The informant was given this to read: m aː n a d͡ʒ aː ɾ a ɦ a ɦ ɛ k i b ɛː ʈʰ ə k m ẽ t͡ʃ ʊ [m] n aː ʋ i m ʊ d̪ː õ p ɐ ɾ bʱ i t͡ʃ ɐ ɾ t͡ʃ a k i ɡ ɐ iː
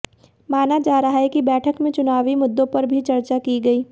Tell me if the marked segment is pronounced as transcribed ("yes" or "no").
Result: no